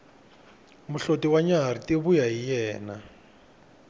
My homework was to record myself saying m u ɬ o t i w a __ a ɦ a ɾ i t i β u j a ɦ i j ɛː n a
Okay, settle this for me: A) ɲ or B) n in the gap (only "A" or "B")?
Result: A